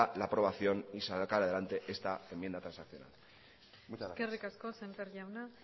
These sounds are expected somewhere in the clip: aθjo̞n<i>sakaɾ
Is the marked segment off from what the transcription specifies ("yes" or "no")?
no